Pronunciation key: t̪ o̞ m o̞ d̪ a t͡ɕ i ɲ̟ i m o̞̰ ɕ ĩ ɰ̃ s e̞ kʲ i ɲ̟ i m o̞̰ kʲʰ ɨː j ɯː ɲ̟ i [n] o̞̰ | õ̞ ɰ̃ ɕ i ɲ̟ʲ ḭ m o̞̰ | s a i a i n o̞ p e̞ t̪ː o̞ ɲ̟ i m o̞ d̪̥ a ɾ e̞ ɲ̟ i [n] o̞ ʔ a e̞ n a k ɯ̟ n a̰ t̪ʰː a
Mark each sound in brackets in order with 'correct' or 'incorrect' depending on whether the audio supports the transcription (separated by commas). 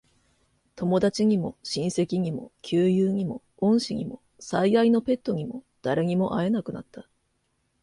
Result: incorrect, incorrect